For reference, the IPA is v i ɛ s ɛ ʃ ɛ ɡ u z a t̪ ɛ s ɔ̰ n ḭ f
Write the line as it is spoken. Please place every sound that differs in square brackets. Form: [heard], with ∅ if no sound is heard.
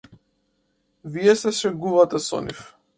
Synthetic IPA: v i ɛ s ɛ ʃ ɛ ɡ u [v] a t̪ ɛ s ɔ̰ n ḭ f